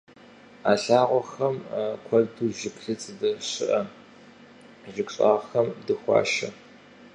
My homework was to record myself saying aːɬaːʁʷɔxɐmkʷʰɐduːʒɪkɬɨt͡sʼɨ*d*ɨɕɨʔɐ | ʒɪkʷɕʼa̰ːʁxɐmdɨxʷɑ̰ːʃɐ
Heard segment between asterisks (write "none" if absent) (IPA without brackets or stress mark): d